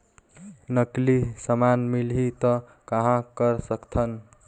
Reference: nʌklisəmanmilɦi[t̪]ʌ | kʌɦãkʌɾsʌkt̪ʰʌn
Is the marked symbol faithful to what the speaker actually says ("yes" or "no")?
yes